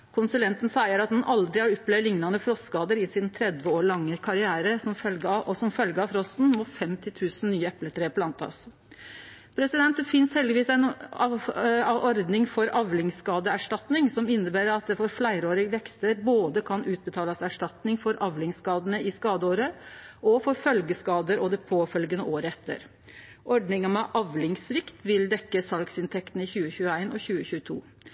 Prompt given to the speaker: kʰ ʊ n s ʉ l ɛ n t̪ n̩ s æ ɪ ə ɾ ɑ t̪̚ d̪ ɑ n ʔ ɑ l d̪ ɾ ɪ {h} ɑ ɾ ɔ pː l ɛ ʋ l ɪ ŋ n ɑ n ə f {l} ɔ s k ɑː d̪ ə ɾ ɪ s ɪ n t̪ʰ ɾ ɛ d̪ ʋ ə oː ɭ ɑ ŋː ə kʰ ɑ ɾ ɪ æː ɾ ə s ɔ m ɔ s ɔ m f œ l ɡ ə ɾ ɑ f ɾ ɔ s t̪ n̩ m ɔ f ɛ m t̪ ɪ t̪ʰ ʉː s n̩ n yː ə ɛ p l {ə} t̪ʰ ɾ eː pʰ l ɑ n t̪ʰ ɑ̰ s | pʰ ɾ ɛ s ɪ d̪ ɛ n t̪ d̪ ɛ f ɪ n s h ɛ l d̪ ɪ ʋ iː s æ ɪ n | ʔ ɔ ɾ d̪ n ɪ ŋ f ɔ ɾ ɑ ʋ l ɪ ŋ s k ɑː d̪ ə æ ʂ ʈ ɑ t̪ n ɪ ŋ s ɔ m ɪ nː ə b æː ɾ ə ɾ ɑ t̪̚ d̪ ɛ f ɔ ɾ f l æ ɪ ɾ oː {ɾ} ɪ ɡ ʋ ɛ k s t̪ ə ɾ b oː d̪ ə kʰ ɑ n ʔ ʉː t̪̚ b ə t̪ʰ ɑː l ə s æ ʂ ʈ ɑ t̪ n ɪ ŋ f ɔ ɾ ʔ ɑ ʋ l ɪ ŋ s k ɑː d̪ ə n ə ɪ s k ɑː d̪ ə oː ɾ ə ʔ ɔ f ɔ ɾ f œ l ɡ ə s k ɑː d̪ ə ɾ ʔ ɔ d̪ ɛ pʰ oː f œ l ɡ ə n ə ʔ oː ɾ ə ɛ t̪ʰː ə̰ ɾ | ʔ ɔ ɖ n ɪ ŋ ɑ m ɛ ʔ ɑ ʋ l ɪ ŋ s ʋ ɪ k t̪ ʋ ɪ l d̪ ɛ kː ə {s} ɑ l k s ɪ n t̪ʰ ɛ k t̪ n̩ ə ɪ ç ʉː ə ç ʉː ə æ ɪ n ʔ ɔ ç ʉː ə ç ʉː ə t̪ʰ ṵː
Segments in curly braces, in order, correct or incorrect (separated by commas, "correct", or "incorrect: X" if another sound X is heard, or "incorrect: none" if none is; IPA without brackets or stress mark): correct, incorrect: ɾ, correct, correct, correct